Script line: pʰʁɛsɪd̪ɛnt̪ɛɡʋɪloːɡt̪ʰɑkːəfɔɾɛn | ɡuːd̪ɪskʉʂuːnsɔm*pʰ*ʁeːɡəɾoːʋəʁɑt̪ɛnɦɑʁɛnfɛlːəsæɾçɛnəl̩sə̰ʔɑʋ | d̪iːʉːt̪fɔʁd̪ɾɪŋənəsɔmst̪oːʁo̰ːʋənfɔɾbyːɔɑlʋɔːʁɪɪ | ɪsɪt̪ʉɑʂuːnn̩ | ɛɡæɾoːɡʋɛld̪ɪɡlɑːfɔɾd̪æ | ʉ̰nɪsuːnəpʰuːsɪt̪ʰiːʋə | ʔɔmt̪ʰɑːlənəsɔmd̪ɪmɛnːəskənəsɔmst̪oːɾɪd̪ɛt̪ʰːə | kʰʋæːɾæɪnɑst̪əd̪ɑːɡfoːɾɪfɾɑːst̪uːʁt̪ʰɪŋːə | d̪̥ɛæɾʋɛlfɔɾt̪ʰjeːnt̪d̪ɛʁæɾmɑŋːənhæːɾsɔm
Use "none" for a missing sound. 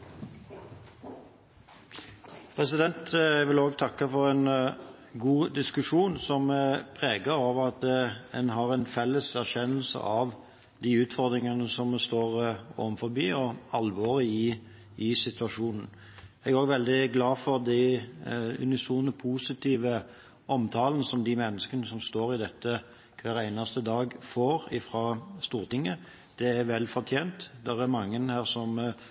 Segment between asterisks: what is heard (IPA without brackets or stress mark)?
pʰ